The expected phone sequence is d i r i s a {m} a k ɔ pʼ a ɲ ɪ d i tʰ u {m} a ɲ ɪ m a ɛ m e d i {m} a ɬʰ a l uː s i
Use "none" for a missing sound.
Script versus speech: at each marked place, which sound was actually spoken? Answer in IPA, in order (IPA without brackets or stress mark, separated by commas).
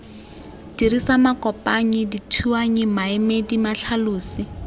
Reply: m, none, m